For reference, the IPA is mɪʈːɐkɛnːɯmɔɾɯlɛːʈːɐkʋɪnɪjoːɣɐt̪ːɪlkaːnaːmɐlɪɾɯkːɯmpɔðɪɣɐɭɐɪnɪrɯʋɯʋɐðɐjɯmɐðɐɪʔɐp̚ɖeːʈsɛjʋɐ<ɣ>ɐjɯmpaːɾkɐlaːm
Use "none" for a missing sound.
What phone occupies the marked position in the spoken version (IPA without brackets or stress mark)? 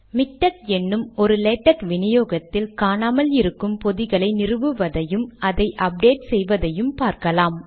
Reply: ð